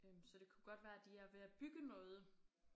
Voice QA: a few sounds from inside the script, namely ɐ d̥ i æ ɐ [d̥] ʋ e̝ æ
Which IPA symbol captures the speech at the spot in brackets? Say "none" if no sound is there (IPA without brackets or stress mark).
none